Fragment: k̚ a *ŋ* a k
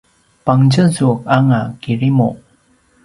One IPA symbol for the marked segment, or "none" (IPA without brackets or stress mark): ŋ